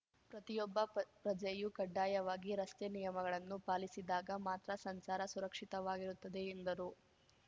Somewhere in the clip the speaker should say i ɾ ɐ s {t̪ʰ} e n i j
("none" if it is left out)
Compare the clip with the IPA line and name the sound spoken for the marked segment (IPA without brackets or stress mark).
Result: t̪